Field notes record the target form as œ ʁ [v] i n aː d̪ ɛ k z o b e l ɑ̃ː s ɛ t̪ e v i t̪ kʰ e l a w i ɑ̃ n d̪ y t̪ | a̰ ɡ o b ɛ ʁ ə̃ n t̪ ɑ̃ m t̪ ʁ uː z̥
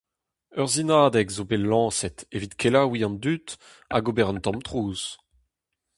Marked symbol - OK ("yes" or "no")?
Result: no